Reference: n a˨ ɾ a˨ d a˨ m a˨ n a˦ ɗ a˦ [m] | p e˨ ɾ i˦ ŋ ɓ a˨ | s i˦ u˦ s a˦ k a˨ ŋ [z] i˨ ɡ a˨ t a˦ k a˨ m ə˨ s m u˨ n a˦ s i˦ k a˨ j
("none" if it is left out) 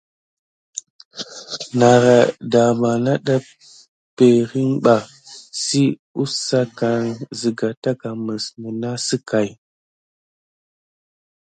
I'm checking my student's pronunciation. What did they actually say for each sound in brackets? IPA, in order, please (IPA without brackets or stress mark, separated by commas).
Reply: none, z